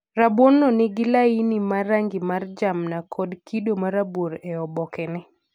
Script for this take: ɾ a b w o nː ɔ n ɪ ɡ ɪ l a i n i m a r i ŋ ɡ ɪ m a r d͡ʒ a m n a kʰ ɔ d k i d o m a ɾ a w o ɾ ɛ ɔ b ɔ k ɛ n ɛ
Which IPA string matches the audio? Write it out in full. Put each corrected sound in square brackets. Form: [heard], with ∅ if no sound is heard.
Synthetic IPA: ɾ a b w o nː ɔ n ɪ ɡ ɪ l a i n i m a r [a] ŋ ɡ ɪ m a r d͡ʒ a m n a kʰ ɔ d k i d o m a ɾ a [b] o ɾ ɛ ɔ b ɔ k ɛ n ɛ